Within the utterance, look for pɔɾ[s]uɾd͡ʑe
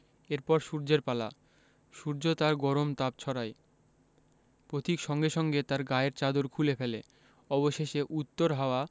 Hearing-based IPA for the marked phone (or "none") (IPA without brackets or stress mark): ʃ